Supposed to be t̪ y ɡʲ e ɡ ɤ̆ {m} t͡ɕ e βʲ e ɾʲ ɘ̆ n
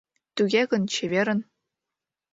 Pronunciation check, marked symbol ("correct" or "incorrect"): incorrect